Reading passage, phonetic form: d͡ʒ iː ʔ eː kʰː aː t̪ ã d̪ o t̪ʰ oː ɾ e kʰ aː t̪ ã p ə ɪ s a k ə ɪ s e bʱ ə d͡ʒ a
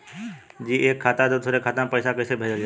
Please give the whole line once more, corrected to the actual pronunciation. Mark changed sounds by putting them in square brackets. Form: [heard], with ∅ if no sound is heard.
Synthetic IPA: d͡ʒ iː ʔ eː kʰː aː t̪ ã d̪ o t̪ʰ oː ɾ e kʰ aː t̪ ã p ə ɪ s a k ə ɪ s e bʱ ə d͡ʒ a